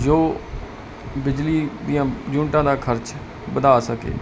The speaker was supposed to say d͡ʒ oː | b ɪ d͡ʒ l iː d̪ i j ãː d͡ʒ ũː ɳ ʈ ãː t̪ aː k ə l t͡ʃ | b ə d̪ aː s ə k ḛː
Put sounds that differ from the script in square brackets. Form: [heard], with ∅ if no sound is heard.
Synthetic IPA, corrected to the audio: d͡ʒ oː | b ɪ d͡ʒ l iː d̪ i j ãː d͡ʒ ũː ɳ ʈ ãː [d̪] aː [kʰ] ə [ɾ] t͡ʃ | b ə d̪ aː s ə k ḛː